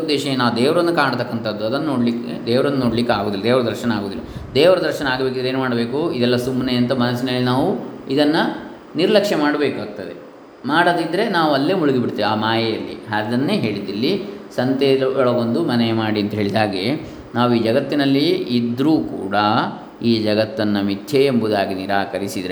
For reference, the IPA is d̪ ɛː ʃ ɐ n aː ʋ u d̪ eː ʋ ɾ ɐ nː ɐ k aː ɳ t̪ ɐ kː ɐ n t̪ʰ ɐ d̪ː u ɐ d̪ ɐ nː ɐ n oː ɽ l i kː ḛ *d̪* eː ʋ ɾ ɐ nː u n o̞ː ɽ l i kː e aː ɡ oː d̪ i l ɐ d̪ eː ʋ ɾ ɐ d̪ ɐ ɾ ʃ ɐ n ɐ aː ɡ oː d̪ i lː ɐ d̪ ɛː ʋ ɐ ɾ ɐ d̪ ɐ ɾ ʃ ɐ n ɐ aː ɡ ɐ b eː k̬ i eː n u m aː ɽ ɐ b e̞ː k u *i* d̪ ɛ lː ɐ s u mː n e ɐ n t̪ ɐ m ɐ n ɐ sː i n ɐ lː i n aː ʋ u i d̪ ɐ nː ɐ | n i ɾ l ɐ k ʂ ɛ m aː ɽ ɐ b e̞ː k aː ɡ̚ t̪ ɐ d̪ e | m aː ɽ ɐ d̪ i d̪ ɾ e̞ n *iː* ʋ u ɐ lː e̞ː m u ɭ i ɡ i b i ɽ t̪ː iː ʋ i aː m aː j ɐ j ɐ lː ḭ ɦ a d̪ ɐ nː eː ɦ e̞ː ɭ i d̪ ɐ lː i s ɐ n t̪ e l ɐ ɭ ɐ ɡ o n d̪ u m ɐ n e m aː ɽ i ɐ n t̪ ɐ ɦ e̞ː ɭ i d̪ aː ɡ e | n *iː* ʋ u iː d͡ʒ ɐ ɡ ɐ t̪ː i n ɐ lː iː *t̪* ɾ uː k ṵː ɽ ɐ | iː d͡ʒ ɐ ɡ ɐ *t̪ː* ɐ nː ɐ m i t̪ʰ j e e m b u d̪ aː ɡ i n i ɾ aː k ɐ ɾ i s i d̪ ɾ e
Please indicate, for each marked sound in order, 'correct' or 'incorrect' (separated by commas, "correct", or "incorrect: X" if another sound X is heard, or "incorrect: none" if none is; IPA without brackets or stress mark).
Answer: correct, correct, incorrect: aː, incorrect: aː, incorrect: d̪, correct